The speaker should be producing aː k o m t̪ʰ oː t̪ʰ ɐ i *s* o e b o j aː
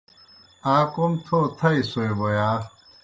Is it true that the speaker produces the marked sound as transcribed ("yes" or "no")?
yes